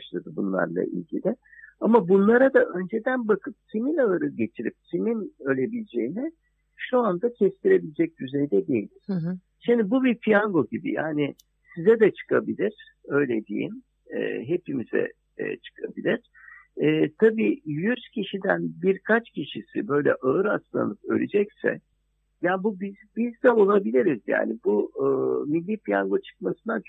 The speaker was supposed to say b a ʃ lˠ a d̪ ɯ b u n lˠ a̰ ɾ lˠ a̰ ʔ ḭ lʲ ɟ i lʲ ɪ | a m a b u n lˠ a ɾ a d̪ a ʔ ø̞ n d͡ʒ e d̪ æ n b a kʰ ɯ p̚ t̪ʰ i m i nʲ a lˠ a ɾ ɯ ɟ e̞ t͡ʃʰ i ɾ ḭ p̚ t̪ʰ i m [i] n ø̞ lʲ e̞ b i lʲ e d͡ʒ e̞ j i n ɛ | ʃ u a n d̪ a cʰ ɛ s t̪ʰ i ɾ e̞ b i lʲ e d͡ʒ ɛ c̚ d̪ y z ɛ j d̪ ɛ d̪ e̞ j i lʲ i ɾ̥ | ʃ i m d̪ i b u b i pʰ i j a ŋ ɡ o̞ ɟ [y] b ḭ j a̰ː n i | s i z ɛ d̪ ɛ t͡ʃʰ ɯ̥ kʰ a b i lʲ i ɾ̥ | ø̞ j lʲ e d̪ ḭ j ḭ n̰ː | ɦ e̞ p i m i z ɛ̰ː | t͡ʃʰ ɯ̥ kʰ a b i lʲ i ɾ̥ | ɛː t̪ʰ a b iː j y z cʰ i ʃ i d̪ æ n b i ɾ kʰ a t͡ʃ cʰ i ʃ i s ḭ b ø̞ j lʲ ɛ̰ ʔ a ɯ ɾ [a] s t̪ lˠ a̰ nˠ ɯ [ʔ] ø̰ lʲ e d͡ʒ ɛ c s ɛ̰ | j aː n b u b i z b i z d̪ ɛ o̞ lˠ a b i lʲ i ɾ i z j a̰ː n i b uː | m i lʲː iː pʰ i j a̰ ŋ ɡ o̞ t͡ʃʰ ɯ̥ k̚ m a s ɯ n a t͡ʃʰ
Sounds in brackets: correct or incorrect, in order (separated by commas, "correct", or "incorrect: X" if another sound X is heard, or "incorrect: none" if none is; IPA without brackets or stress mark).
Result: correct, incorrect: i, correct, incorrect: p